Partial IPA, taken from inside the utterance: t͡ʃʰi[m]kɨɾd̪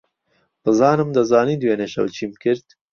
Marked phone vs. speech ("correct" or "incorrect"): correct